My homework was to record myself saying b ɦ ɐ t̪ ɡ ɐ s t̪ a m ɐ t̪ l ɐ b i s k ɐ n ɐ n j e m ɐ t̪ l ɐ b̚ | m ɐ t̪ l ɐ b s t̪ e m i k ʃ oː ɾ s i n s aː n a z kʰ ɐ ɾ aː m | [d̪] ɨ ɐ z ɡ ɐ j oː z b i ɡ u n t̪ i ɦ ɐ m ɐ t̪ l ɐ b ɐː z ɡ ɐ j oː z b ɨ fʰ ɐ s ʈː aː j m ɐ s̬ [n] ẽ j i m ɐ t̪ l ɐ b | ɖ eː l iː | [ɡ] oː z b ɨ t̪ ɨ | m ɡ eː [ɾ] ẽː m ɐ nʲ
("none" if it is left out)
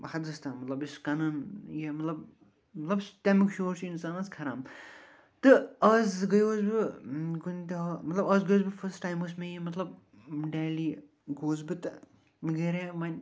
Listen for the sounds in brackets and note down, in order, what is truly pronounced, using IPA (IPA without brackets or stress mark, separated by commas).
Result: t̪, m, ɡ, ɾ